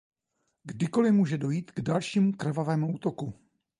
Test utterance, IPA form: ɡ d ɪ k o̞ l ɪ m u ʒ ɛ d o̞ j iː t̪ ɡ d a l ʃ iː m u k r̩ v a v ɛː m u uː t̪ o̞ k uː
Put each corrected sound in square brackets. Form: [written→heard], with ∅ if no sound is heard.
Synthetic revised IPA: ɡ d ɪ k o̞ l ɪ m [u→uː] ʒ ɛ d o̞ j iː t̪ ɡ d a l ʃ iː m u k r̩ v a v ɛː m u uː t̪ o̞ k [uː→u]